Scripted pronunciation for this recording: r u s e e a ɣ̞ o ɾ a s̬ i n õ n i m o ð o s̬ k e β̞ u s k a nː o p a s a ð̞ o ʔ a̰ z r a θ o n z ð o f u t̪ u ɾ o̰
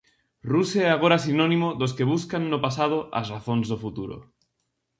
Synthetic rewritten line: r u s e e a ɣ̞ o ɾ a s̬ i n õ n i m o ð o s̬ k e β̞ u s k a nː o p a s a ð̞ o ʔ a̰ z r a θ o n z ð o f u t̪ u ɾ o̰